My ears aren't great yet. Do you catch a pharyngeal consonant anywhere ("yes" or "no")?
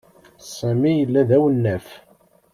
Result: no